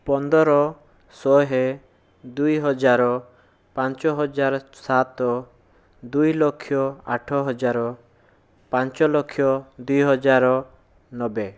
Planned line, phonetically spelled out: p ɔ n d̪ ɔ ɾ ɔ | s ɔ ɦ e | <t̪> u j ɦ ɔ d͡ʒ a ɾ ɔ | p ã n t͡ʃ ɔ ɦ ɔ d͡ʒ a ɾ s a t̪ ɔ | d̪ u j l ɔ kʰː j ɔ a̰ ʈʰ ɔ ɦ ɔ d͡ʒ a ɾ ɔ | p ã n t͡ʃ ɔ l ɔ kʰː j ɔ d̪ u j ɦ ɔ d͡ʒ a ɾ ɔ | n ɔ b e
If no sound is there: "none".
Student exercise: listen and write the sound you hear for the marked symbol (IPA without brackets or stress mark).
d̪